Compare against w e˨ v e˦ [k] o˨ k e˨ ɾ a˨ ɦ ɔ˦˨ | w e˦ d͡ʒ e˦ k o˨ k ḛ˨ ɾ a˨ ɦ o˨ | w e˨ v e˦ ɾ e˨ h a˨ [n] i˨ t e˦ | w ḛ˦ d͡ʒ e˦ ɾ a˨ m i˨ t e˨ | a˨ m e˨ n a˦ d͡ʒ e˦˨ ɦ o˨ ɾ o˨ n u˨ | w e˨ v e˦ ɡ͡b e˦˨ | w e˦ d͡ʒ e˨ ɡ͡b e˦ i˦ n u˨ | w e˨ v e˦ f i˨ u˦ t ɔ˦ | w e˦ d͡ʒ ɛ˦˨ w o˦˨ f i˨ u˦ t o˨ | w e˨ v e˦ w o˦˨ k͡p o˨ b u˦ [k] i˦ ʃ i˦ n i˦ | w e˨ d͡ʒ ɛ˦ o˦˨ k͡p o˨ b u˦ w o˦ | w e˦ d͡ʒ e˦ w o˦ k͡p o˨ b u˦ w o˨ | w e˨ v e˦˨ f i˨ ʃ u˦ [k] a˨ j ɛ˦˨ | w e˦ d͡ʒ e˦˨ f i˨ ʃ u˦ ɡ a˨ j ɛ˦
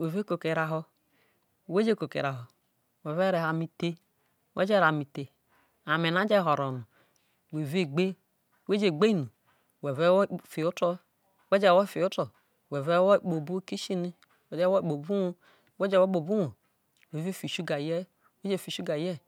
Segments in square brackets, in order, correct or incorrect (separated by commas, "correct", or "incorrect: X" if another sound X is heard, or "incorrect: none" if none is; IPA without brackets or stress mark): correct, incorrect: m, correct, incorrect: ɡ